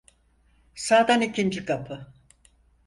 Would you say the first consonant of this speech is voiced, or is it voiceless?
voiceless